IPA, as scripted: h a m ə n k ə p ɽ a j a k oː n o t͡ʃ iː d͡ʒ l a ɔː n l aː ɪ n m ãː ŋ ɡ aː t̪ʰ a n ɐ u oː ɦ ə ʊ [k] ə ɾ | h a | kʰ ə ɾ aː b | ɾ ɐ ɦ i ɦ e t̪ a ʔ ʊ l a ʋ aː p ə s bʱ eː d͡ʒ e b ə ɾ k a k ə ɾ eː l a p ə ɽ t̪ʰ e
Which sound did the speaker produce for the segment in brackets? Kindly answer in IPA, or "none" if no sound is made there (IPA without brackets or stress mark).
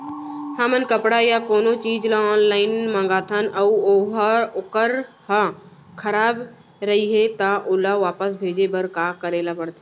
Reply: k